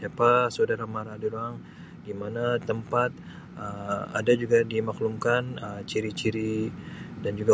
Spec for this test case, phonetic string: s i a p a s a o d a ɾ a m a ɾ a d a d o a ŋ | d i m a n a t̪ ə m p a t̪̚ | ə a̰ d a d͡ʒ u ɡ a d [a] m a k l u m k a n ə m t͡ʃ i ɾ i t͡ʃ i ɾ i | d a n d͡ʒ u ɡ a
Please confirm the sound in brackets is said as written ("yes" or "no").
no